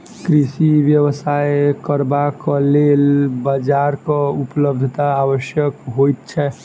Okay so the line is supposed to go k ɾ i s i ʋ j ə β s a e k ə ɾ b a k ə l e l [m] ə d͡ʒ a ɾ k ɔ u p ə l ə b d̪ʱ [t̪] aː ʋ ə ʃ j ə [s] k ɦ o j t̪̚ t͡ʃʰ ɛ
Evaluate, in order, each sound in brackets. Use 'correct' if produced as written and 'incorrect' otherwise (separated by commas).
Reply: incorrect, correct, incorrect